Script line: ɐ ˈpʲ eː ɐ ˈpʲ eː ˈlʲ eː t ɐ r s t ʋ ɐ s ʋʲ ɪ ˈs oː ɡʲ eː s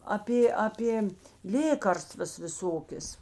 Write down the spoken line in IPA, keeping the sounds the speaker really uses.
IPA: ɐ ˈpʲ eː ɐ ˈpʲ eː ˈlʲ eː k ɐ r s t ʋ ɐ s ʋʲ ɪ ˈs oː kʲ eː s